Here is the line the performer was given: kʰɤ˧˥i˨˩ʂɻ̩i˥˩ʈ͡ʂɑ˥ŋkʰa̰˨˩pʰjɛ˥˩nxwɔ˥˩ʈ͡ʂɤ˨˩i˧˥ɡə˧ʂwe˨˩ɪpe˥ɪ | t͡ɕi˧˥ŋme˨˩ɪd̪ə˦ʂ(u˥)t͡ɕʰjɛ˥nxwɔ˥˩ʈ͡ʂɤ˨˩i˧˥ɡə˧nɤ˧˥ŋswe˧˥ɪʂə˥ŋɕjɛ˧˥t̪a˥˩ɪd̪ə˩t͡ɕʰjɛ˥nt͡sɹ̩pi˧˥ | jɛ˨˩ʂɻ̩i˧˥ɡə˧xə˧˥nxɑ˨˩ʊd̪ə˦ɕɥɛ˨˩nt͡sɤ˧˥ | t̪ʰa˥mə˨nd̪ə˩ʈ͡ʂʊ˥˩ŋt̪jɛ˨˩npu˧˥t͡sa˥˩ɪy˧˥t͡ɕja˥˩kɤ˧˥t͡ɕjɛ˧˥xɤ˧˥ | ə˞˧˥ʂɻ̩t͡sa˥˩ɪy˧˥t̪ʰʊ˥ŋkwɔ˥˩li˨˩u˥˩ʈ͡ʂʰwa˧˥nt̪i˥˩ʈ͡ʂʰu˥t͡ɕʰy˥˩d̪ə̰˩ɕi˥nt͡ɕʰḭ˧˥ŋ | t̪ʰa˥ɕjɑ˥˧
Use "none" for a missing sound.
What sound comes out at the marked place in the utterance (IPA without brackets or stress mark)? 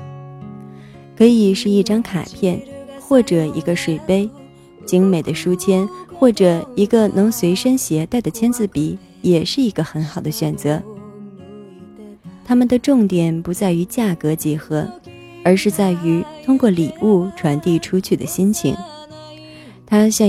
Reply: u˥